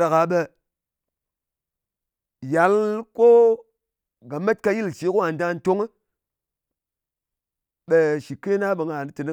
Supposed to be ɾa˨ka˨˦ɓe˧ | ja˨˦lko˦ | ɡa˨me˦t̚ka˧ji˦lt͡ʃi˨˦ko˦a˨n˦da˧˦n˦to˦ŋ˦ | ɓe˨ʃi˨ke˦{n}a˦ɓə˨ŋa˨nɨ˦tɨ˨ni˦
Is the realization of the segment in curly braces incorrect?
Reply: no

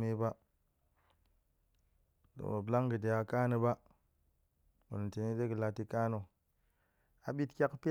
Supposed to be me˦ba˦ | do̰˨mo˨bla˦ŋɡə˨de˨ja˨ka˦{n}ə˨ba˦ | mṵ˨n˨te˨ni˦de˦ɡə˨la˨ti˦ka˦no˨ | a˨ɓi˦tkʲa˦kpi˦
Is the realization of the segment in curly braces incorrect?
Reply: no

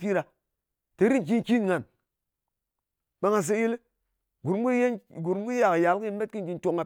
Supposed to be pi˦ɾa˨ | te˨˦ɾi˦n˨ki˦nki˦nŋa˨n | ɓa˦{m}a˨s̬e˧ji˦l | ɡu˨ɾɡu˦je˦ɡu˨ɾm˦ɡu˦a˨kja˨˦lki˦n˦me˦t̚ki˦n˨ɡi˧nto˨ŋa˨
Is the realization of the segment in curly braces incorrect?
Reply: yes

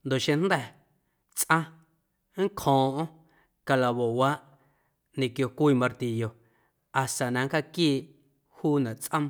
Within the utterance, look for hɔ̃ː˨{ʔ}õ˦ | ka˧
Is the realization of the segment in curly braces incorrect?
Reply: no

